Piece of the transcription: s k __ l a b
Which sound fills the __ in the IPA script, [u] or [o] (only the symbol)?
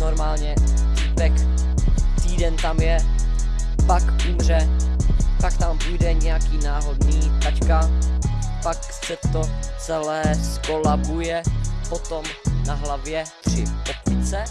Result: o